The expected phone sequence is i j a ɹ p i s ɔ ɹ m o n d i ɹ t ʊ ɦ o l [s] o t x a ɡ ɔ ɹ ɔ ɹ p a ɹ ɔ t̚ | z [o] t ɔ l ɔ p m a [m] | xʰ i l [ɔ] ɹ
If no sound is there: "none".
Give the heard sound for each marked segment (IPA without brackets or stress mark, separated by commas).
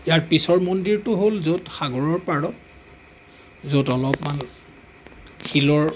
z, o, n, ɔ